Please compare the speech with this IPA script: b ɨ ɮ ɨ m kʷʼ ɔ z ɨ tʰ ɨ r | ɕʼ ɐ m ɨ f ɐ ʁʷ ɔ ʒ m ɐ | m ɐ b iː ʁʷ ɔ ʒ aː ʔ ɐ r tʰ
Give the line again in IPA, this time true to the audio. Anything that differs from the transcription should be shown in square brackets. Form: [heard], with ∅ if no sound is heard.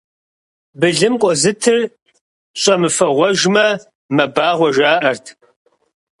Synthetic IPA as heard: b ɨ ɮ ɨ m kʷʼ ɔ z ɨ tʰ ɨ r | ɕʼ ɐ m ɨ f ɐ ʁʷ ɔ ʒ m ɐ | m ɐ b [aː] ʁʷ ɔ ʒ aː ʔ ɐ r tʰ